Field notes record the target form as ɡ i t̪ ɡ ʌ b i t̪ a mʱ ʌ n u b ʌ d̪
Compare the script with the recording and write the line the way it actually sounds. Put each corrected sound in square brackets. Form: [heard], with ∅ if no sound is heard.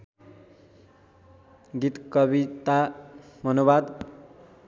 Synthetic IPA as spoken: ɡ i t̪ [k] ʌ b i t̪ a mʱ ʌ n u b [a] d̪

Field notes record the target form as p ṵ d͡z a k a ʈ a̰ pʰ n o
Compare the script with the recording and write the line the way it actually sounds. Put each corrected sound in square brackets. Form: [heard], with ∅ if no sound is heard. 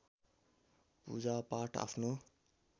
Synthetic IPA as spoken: p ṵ d͡z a [p] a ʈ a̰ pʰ n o

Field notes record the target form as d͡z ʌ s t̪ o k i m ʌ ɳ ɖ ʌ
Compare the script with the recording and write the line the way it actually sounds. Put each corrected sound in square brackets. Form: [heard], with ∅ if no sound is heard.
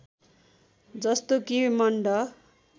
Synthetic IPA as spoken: d͡z ʌ s t̪ o k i m ʌ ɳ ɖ ʌ

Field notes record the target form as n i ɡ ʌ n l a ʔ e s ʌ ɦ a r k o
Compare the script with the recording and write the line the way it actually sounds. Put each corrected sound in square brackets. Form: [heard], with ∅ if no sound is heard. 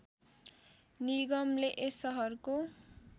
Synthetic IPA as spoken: n i ɡ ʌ [m] l [e] ʔ e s ʌ ɦ [ʌ] r k o

